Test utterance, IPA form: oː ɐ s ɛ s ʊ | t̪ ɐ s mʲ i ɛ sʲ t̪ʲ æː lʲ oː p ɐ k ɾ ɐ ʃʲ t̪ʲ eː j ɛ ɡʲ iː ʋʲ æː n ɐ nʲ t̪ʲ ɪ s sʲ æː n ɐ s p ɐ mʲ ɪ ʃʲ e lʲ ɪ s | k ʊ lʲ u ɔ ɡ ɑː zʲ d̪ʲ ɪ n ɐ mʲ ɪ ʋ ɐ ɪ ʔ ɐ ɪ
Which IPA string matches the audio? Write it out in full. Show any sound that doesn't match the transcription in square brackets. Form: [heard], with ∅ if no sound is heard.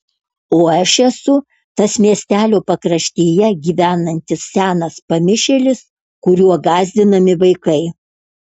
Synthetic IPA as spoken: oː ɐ [ʃ] ɛ s ʊ | t̪ ɐ s mʲ i ɛ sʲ t̪ʲ æː lʲ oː p ɐ k ɾ ɐ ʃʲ t̪ʲ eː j ɛ ɡʲ iː ʋʲ æː n ɐ nʲ t̪ʲ ɪ s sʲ æː n ɐ s p ɐ mʲ ɪ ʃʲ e lʲ ɪ s | k ʊ [ɾʲ] u ɔ ɡ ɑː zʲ d̪ʲ ɪ n ɐ mʲ ɪ ʋ ɐ ɪ [k] ɐ ɪ